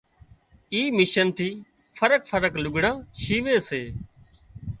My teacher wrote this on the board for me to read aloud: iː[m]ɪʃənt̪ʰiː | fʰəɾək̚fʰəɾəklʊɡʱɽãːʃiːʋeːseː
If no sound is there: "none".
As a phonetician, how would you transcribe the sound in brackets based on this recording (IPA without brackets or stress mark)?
m